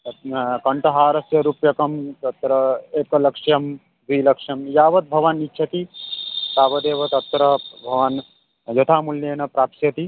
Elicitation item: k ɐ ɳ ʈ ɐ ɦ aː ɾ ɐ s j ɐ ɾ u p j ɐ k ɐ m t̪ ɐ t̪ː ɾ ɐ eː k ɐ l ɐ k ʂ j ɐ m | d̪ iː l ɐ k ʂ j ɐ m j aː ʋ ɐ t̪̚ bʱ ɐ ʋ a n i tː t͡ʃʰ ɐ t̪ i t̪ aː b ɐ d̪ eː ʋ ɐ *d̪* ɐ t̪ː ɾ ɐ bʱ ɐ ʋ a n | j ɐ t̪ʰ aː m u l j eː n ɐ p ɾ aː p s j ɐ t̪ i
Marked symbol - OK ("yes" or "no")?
no